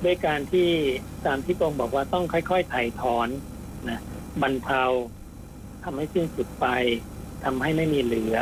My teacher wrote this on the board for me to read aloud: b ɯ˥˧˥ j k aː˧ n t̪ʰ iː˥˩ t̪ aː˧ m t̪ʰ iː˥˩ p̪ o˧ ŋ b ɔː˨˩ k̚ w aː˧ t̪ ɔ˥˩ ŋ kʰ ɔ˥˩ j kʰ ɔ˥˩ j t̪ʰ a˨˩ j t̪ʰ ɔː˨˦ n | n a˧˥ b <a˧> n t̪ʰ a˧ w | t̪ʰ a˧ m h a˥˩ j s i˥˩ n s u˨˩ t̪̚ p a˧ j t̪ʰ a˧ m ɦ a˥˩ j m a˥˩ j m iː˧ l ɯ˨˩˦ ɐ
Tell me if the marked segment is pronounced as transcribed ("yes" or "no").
yes